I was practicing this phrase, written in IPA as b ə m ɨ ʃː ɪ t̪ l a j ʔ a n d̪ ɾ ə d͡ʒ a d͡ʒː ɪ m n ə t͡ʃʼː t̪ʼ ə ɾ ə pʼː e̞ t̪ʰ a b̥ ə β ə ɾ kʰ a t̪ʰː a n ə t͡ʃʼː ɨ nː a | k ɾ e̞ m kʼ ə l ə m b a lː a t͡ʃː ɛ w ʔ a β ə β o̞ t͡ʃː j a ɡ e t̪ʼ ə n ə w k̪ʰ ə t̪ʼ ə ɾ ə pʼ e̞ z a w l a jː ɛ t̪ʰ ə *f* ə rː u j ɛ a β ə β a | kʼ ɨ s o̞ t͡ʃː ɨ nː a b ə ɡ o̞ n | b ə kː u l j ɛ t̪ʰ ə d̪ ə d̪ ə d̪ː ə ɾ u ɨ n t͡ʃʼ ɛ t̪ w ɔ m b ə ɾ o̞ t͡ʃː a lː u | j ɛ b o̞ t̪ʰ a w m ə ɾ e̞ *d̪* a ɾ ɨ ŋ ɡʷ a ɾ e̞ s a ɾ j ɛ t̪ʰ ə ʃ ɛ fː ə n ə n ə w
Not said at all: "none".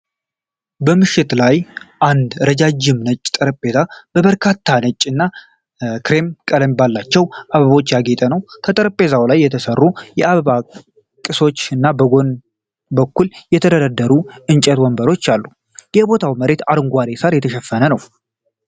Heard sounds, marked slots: s, t̪

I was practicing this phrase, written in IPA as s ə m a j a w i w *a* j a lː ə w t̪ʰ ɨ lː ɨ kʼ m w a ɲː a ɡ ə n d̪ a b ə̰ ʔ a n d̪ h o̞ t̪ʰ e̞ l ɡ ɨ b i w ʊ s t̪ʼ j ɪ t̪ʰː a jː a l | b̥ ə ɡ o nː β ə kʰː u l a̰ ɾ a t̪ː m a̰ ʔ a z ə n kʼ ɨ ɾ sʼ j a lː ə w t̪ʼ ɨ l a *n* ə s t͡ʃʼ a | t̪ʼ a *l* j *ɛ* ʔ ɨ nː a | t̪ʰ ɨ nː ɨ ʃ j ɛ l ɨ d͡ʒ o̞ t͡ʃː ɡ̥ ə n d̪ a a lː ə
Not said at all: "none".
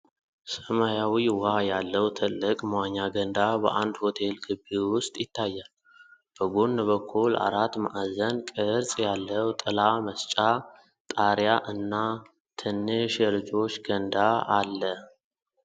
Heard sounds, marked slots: a, m, ɾ, a

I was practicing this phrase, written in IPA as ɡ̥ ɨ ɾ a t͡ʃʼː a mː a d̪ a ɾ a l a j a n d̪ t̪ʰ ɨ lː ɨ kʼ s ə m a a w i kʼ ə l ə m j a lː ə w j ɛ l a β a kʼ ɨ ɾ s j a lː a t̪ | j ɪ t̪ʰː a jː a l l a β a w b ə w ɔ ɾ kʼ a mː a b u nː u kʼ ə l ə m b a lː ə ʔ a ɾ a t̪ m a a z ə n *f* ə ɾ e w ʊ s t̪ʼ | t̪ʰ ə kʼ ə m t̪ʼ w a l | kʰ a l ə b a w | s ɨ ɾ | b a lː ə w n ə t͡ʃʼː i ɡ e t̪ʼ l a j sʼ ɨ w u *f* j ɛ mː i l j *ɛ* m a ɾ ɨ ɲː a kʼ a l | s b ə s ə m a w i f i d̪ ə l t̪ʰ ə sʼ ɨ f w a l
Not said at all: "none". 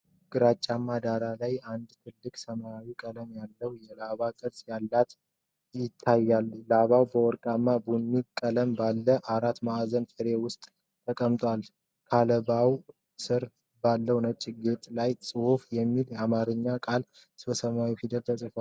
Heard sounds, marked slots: f, f, a

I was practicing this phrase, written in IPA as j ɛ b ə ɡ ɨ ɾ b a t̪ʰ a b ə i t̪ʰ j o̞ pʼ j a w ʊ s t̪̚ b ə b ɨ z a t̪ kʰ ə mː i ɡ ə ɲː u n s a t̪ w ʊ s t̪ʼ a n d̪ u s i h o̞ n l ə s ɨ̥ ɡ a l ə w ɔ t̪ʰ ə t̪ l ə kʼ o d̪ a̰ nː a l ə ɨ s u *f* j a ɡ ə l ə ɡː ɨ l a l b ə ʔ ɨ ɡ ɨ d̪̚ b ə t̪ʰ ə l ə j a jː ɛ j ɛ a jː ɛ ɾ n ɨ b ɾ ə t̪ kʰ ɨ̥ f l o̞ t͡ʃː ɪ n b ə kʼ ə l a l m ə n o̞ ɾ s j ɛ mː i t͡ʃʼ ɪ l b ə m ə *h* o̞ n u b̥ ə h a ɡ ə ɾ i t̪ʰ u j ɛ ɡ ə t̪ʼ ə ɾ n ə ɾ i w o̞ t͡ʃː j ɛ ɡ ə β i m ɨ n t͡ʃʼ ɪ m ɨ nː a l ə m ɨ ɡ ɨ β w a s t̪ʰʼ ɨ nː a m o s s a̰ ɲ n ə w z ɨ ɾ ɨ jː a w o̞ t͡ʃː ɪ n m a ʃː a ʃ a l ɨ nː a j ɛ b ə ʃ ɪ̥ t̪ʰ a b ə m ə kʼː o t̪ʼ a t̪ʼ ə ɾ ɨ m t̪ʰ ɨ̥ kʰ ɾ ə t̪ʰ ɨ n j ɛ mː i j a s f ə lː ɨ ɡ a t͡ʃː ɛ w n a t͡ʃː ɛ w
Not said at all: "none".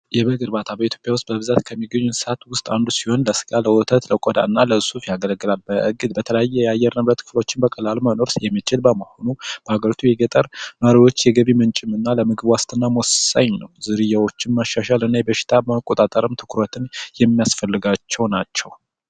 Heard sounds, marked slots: f, h

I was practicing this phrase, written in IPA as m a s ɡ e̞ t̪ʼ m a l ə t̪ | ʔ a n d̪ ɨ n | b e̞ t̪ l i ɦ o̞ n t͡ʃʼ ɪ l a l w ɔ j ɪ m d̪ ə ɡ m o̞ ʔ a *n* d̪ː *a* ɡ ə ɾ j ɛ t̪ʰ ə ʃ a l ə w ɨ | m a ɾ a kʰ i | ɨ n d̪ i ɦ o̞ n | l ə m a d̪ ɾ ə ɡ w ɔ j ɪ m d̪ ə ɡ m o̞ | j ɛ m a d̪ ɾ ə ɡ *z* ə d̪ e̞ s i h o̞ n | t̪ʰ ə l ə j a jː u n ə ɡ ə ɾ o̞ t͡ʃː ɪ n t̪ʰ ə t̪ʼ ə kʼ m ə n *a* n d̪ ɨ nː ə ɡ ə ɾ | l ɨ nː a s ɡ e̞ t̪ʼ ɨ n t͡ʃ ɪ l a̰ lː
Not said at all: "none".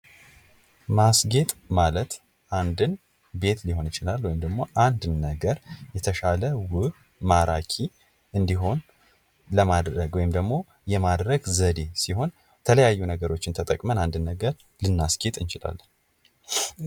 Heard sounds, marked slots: n, ə, z, a

